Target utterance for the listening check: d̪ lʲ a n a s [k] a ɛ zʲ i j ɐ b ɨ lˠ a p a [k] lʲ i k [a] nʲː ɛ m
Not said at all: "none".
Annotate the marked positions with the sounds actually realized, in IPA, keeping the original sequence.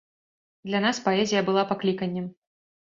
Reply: p, k, ɐ

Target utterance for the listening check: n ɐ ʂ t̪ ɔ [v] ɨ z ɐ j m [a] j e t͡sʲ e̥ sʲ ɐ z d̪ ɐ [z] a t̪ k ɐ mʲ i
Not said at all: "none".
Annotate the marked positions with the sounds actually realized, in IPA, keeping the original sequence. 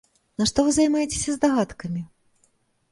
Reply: v, a, ɣ

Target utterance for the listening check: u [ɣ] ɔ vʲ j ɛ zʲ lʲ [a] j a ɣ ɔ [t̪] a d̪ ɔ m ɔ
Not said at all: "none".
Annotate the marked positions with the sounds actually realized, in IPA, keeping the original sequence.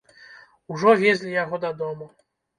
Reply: ʐ, i, d̪

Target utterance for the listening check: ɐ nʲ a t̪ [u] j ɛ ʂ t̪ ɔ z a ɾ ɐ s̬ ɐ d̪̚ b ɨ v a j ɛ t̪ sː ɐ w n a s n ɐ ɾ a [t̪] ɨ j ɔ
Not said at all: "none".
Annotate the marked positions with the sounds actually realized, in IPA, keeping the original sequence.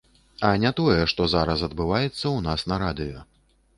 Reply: ɔ, d̪

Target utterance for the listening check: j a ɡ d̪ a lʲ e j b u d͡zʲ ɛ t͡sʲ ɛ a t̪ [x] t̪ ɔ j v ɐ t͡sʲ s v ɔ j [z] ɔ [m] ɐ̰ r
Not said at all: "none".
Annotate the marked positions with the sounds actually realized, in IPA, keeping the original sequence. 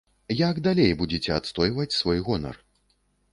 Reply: s, ɣ, n

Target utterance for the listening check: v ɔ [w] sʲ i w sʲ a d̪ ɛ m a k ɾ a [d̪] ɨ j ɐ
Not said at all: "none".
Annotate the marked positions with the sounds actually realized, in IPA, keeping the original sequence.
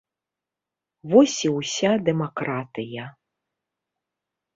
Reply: none, t̪

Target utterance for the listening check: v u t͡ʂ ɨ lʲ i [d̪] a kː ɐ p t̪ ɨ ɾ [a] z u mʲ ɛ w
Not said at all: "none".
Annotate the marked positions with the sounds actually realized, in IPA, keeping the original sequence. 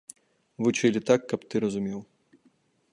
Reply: t̪, ɐ

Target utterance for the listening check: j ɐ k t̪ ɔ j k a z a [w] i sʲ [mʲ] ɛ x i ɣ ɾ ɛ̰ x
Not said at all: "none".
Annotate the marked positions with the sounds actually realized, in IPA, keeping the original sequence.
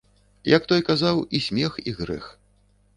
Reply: w, mʲ

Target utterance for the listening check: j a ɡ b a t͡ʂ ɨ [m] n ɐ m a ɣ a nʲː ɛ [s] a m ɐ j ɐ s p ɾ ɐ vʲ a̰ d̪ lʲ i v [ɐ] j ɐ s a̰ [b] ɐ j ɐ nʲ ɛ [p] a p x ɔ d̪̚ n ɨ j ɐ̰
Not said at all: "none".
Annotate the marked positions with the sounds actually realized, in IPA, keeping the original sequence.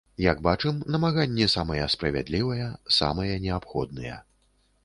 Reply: m, s, ɐ, m, none

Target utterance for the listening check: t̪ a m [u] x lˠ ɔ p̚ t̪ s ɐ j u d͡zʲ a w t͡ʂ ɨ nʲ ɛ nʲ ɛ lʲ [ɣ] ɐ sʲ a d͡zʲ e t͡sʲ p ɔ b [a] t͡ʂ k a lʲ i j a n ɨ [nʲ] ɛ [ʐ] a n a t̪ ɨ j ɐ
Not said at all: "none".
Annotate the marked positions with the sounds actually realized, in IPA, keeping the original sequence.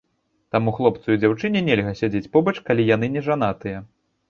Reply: u, ɣ, ɐ, nʲ, ʐ

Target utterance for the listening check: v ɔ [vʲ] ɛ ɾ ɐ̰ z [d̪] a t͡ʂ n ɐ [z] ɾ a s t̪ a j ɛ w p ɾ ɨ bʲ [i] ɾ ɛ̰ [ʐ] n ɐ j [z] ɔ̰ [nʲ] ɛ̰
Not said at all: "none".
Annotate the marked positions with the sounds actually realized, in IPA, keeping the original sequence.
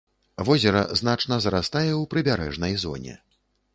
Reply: zʲ, n̪, z, a, ʐ, z, nʲ

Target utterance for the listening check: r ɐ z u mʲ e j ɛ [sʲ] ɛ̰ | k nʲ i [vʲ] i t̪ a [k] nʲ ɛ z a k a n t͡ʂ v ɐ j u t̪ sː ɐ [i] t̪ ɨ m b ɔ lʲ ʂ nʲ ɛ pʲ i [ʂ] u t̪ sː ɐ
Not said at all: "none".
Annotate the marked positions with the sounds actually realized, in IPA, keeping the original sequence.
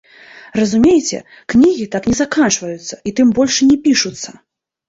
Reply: t͡sʲ, ɣʲ, k, i, ʂ

